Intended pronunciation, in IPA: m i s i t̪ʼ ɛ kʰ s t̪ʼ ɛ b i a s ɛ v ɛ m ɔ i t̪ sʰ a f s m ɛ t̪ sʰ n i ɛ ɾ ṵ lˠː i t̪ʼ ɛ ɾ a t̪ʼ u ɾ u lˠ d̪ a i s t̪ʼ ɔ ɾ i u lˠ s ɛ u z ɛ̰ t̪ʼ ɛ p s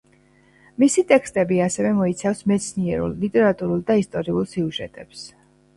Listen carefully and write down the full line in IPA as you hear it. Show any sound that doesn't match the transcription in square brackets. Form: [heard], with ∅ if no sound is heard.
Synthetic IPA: m i s i t̪ʼ ɛ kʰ s t̪ʼ ɛ b i a s ɛ v ɛ m ɔ i t̪ sʰ a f s m ɛ t̪ sʰ n i ɛ ɾ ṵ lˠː i t̪ʼ ɛ ɾ a t̪ʼ u ɾ u lˠ d̪ a i s t̪ʼ ɔ ɾ i u lˠ s [i] u [ʒ] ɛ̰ t̪ʼ ɛ p s